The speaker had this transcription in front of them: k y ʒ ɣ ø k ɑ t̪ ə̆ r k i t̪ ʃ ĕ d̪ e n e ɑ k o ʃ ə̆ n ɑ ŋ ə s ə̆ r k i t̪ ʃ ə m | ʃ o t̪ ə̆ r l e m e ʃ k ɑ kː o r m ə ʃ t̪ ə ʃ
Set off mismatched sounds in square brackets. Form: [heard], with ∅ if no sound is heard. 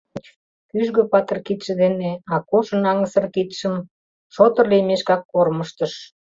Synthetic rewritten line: k y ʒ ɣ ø [p] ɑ t̪ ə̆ r k i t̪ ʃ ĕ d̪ e n e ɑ k o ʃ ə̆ n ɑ ŋ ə s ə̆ r k i t̪ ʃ ə m | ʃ o t̪ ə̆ r l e m e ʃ k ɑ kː o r m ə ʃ t̪ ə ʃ